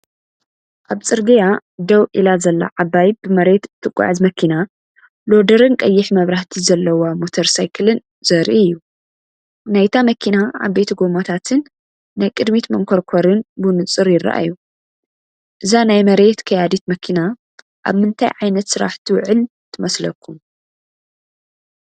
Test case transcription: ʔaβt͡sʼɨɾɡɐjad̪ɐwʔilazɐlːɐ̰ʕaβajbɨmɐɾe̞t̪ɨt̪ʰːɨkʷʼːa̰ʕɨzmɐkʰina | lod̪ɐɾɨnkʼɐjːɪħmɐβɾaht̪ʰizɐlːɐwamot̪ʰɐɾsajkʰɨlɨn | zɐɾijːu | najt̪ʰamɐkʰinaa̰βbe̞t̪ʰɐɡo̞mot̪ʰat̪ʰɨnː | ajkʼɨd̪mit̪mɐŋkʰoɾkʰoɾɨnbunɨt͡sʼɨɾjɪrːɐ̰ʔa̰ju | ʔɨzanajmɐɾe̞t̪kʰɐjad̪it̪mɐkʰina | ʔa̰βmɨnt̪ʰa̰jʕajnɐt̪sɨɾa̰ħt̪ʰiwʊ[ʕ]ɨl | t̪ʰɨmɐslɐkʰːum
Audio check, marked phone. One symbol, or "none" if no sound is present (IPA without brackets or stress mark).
ʕ